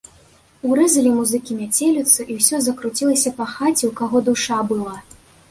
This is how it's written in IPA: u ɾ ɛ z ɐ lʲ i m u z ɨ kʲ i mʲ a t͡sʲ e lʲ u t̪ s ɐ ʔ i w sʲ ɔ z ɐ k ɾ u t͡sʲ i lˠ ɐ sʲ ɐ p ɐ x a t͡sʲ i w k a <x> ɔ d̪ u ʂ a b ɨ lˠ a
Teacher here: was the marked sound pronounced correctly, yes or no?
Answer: no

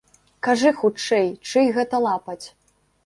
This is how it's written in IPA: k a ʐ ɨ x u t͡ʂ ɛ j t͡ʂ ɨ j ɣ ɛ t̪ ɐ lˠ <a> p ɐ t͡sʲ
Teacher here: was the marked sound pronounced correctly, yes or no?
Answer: yes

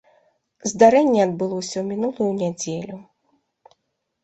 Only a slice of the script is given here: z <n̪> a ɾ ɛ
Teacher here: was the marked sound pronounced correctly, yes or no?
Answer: no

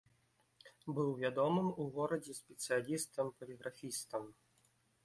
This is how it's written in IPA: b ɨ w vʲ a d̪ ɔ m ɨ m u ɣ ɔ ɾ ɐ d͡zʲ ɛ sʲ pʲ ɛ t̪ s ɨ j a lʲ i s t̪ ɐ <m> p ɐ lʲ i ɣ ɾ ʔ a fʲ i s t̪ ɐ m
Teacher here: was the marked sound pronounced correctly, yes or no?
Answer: yes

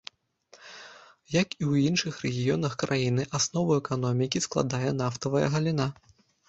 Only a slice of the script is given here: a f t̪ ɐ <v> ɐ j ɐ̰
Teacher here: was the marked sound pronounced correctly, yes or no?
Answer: yes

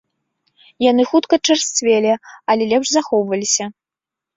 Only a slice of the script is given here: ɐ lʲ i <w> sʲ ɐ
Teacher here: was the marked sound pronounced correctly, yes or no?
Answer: no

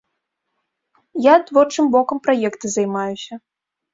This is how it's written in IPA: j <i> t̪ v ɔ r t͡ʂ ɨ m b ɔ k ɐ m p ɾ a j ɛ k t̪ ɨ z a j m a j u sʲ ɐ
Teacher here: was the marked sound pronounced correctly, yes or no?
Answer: no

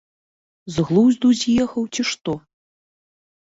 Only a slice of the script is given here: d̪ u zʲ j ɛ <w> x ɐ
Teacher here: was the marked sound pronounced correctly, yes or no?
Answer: no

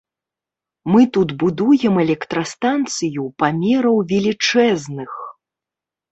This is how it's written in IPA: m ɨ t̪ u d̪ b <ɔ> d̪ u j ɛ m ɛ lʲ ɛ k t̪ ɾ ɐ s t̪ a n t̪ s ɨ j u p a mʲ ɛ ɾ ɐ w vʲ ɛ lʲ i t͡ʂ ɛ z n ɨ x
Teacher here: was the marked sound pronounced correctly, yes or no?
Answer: no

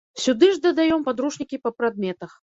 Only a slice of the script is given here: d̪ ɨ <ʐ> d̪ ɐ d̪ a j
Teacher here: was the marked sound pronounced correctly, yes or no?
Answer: yes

